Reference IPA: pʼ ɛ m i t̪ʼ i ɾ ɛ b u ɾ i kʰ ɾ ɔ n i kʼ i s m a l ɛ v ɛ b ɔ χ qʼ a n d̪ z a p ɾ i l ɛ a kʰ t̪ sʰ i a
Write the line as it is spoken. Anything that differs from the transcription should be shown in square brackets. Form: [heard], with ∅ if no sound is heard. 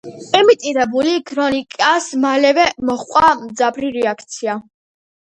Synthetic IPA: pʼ ɛ m i t̪ʼ i ɾ ɛ b u [l] i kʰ ɾ ɔ n i kʼ [a] s m a l ɛ v ɛ [m] ɔ χ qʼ a [m] d̪ z a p ɾ i [ɾ] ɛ a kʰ t̪ sʰ i a